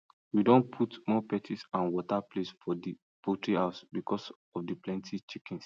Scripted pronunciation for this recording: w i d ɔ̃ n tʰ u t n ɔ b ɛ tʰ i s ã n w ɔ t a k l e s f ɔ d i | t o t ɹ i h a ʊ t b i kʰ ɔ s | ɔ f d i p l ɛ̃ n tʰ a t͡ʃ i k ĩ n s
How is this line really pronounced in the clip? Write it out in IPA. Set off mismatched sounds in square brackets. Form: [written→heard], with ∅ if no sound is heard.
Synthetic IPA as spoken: w i d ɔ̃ n [tʰ→pʰ] u t [n→m] ɔ [b→p] ɛ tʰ i s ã n w ɔ t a [k→p] l e s f ɔ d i | [t→p] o t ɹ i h a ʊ [t→s] b i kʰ ɔ s | ɔ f d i p l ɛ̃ n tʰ [a→i] t͡ʃ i k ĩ n s